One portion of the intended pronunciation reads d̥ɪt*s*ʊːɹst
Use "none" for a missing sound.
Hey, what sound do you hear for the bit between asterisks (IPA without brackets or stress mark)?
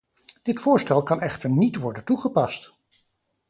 f